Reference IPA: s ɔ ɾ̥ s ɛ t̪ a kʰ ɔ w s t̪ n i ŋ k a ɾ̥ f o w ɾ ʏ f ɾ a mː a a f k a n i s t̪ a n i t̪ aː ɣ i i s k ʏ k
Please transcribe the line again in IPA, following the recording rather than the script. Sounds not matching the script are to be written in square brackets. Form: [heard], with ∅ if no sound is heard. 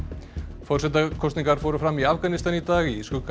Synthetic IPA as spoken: [f] ɔ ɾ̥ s ɛ t̪ a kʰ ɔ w s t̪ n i ŋ k a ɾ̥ f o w ɾ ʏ f ɾ a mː [i] a f k a n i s t̪ a n i t̪ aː ɣ i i s k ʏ k